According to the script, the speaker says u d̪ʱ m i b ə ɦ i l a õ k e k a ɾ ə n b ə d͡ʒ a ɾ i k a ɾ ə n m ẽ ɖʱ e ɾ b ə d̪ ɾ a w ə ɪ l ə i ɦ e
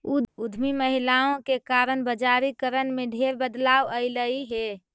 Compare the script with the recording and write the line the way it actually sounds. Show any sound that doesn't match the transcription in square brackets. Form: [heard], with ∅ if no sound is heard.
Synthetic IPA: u d̪ʱ m i [m] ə ɦ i l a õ k e k a ɾ ə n b ə d͡ʒ a ɾ i k [ə] ɾ ə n m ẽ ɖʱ e ɾ b ə d̪ [l] a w ə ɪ l ə i ɦ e